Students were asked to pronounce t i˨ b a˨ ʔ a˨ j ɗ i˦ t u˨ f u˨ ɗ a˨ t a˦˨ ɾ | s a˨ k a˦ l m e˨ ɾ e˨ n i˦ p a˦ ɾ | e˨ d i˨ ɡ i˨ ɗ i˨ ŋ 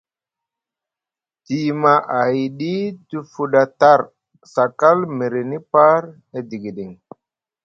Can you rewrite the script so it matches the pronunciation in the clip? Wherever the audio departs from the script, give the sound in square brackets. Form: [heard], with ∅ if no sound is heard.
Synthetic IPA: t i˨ [m] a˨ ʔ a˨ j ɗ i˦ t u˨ f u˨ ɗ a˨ t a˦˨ ɾ | s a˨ k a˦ l m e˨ ɾ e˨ n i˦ p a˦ ɾ | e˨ d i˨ ɡ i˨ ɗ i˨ ŋ